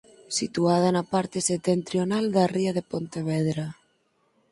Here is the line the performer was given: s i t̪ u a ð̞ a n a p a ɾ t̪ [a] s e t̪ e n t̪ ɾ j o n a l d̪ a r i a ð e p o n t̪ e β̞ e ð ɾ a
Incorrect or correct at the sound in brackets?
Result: incorrect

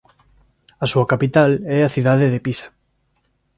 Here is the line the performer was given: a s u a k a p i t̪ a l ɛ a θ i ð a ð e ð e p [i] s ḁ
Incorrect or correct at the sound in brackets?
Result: correct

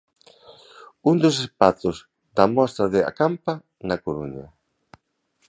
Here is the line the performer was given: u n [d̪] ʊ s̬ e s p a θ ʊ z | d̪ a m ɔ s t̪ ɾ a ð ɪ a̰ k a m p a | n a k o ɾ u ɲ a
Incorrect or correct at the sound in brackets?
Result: correct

